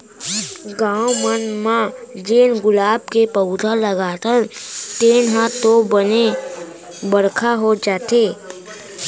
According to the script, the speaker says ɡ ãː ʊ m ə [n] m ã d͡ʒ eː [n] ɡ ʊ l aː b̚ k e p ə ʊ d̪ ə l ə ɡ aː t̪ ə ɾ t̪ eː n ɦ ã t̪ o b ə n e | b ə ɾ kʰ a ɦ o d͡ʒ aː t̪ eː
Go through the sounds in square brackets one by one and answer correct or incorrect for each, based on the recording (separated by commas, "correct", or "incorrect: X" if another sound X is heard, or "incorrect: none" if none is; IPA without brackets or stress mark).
correct, correct